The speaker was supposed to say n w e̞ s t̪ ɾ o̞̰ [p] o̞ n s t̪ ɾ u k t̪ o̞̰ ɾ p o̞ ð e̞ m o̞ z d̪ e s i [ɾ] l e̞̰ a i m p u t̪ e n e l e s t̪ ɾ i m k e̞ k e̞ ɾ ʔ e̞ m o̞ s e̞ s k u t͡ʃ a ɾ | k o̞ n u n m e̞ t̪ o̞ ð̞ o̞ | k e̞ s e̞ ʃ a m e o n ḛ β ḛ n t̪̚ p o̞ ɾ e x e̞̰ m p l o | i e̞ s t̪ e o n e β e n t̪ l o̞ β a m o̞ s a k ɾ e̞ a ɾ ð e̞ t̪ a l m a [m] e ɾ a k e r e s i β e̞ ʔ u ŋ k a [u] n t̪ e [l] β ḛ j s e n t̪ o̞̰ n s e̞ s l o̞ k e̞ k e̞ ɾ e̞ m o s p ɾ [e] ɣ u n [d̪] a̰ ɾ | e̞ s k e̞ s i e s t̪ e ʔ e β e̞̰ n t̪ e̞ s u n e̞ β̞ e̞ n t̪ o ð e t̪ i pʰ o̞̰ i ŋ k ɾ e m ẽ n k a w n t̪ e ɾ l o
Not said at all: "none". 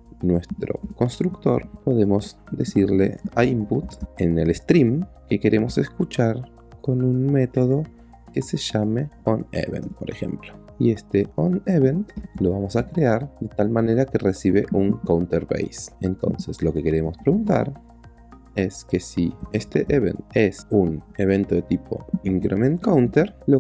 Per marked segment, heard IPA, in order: k, ɾ, n, w, ɾ, e, t̪

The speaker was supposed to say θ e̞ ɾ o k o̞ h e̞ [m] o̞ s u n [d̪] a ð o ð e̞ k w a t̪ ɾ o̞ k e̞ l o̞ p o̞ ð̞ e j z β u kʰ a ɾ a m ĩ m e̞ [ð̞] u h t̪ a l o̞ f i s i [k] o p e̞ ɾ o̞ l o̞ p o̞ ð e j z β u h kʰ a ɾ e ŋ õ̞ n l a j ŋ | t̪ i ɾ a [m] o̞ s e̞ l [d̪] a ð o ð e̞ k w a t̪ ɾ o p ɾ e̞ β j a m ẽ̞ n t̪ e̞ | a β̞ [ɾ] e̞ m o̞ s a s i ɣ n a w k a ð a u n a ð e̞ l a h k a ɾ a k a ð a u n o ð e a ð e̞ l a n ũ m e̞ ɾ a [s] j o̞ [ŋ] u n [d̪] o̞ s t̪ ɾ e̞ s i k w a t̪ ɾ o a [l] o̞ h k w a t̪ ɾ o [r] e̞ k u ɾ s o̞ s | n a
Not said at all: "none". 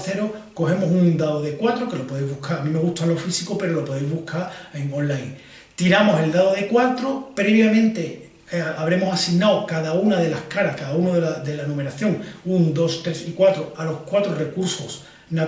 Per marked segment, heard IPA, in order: m, d̪, ɣ̞, k, m, d̪, ɾ, θ, ŋ, d̪, l, r

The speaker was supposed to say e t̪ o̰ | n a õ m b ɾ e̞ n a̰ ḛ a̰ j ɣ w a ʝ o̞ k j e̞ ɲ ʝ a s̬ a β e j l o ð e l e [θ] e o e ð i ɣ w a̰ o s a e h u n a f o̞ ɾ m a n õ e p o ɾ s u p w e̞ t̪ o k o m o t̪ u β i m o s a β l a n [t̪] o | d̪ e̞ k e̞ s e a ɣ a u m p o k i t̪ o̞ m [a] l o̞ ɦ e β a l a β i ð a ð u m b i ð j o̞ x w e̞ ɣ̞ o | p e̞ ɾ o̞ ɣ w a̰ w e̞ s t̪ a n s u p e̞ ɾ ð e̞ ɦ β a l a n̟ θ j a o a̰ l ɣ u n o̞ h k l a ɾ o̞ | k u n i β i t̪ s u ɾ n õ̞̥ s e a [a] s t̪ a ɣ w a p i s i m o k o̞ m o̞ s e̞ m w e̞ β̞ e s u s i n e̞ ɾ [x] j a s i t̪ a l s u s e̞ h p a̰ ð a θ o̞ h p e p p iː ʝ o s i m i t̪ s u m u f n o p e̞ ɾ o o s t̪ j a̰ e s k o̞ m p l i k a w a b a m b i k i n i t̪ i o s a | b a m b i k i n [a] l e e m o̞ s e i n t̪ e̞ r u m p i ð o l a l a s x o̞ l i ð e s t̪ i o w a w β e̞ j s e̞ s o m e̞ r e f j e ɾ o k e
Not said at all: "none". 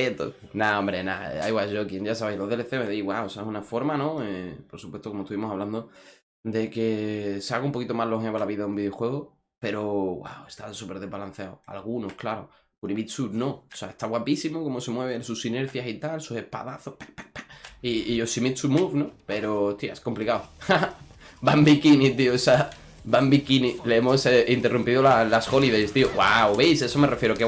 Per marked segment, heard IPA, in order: θ, d̪, a, e, θ, i

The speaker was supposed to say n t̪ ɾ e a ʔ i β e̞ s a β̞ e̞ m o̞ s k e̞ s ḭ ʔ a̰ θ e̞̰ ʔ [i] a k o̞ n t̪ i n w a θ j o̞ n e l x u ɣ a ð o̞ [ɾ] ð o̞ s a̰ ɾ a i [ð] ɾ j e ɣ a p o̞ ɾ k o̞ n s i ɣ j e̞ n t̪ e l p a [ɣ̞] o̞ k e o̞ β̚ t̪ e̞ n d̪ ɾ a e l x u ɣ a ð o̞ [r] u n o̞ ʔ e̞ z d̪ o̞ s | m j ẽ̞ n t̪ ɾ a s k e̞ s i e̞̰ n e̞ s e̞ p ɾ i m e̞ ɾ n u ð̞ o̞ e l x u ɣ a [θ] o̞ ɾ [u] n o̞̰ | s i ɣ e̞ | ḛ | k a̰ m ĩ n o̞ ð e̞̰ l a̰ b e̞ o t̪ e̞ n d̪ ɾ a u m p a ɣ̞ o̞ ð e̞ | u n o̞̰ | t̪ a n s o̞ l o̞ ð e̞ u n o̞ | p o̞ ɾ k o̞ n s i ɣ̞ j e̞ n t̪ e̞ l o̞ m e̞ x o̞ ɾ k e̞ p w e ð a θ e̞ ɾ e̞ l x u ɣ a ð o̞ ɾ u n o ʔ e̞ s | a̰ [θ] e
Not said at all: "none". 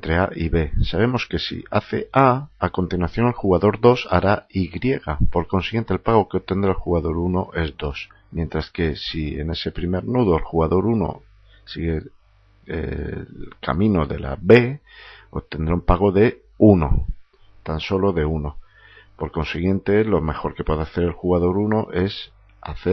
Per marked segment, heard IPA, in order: a, ɾ, ɣ, ɣ̞, ɾ, ð, u, θ

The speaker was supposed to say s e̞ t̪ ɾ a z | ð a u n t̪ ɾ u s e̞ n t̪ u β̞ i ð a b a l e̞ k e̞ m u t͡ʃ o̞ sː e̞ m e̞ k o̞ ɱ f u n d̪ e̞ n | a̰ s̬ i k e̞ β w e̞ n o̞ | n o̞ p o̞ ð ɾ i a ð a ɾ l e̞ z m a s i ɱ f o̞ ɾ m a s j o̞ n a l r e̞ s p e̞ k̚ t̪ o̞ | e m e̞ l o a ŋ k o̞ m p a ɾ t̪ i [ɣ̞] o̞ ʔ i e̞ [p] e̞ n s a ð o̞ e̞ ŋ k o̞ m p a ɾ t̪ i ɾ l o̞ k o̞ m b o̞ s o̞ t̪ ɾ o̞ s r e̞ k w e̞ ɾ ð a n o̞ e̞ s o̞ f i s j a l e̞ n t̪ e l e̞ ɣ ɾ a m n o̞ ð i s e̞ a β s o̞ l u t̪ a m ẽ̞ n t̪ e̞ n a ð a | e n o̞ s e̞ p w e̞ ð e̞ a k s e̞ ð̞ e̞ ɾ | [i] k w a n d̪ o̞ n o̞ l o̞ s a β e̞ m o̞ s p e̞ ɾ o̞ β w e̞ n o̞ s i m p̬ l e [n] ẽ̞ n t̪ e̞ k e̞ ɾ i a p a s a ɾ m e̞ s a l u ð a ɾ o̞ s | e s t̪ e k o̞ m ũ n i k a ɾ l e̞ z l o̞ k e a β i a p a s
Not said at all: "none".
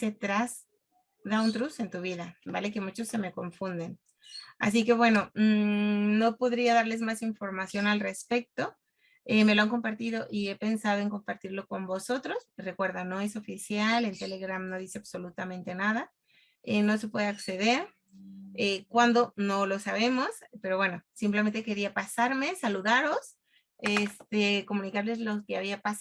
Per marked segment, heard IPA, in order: ð̞, p, e, m

